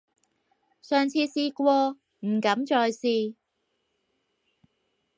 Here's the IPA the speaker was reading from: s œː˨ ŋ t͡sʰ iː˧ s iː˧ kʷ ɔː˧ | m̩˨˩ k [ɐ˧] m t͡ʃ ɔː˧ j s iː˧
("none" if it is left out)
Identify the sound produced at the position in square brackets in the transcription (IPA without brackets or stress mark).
ɐ˨˥